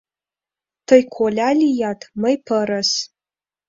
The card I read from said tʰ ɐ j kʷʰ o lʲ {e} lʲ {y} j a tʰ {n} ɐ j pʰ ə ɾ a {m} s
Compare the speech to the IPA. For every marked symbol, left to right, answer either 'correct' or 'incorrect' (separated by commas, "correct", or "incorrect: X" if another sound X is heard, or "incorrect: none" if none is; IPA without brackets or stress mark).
incorrect: a, incorrect: i, incorrect: m, incorrect: none